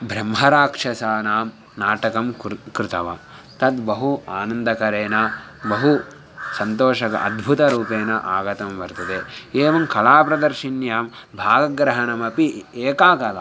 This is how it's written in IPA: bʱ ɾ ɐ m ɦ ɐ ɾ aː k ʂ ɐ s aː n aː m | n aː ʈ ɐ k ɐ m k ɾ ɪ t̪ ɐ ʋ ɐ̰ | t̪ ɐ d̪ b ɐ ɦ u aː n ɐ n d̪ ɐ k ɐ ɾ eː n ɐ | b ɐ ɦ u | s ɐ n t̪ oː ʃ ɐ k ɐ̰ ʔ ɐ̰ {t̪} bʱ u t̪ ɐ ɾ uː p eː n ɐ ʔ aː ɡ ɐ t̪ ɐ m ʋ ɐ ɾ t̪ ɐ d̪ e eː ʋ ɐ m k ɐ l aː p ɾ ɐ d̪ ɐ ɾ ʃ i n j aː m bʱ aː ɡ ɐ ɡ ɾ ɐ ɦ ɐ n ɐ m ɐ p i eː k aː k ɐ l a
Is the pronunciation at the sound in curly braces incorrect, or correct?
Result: incorrect